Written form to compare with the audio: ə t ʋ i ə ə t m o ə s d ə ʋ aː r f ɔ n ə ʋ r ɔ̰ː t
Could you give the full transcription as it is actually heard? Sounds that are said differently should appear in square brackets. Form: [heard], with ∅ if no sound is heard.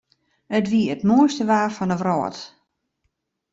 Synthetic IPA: ə t ʋ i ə ə t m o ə s [t] ə ʋ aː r f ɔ n ə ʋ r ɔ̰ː t